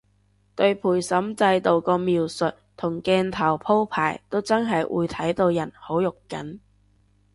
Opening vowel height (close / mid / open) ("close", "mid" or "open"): mid